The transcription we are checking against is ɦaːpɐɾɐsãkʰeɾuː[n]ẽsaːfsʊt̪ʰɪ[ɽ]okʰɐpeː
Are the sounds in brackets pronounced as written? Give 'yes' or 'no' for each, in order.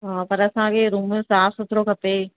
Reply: no, no

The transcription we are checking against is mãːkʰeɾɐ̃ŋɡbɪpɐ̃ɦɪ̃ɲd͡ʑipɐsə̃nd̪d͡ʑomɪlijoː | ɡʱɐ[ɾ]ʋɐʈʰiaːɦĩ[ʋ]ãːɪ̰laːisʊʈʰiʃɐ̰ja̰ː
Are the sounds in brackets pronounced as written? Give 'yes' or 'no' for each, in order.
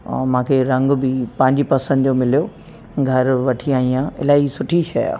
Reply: yes, no

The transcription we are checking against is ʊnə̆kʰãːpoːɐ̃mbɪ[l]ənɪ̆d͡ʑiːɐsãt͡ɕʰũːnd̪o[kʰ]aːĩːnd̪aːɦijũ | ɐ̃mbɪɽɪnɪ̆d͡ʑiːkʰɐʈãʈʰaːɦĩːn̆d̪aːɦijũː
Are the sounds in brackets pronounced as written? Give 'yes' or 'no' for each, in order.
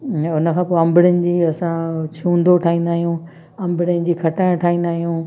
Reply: no, no

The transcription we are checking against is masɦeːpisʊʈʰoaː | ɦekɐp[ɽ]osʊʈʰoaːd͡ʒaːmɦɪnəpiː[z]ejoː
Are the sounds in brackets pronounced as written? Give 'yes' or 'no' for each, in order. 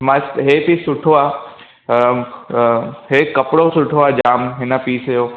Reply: yes, no

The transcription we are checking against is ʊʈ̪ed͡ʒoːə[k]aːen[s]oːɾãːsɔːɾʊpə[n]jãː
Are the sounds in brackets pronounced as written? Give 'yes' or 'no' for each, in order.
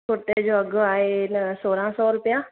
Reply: no, yes, no

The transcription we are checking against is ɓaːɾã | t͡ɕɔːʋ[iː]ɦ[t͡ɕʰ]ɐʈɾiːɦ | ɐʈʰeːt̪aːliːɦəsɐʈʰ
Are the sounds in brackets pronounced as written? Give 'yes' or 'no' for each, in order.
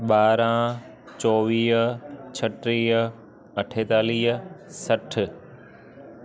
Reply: yes, yes

